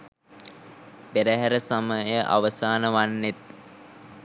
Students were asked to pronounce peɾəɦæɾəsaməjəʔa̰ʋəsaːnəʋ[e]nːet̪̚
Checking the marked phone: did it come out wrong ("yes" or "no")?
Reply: yes